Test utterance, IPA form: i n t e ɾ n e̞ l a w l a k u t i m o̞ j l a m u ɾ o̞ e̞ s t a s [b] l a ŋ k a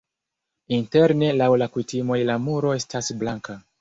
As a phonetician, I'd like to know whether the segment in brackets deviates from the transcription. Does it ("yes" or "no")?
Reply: no